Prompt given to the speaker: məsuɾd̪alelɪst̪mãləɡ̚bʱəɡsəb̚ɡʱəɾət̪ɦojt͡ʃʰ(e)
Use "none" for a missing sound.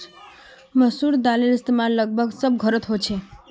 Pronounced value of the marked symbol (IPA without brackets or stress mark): e